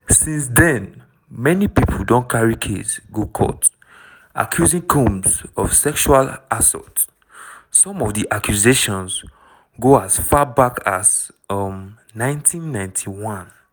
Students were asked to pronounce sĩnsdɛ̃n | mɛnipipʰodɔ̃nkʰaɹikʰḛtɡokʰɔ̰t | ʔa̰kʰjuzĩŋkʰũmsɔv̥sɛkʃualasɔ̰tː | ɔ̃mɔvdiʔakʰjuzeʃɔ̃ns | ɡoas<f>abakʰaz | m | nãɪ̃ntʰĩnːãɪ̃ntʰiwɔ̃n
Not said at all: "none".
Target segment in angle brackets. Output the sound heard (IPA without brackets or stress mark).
f